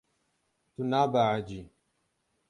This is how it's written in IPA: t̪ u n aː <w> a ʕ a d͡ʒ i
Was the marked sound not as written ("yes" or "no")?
yes